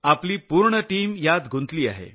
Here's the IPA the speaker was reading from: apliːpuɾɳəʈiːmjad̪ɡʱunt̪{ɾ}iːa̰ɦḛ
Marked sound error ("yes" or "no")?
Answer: yes